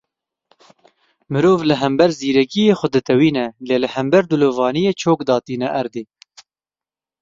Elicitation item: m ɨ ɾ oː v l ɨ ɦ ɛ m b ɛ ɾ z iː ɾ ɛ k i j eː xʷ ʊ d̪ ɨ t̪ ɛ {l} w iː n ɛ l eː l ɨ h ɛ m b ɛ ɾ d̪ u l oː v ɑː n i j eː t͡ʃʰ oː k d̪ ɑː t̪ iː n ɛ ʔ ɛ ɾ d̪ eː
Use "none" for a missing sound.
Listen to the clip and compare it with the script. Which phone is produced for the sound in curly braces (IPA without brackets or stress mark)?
none